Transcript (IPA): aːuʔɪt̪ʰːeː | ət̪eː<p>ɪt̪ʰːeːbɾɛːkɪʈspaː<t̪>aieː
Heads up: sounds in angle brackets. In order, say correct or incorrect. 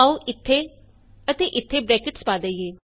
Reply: incorrect, incorrect

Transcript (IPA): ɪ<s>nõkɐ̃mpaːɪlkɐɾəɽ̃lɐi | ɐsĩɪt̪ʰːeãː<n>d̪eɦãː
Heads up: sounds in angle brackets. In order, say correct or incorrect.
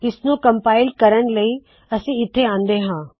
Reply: correct, correct

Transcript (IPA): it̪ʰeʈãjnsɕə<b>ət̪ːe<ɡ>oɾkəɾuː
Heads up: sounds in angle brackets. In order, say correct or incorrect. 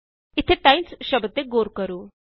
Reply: correct, correct

